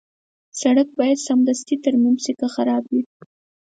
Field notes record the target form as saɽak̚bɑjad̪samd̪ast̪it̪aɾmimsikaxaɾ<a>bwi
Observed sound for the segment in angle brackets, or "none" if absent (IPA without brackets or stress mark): ɑ